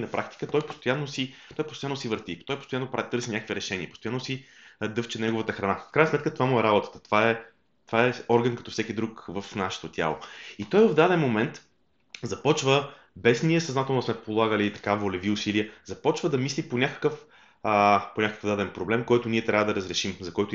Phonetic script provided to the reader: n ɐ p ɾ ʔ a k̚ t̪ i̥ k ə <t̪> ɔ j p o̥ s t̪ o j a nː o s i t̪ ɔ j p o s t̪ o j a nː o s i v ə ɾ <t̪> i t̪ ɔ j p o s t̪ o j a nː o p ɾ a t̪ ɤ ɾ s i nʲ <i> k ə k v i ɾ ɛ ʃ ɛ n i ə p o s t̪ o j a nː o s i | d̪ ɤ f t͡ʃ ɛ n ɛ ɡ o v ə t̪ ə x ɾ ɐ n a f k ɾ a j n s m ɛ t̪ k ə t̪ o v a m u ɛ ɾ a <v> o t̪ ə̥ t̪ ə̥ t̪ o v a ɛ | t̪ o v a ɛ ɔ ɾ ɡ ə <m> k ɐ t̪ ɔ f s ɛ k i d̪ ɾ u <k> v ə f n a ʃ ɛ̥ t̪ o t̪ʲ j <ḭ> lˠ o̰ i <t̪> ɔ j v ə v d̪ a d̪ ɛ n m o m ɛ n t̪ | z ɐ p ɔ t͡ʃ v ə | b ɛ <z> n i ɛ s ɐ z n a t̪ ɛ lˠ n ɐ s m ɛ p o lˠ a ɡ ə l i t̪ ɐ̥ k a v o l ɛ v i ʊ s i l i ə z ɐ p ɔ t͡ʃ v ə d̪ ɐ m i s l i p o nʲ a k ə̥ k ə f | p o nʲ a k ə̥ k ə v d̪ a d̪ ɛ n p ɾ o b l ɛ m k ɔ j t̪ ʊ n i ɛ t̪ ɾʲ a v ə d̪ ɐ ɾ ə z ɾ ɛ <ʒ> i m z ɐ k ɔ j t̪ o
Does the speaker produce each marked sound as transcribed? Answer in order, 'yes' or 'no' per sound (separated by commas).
yes, yes, no, no, no, yes, no, yes, no, no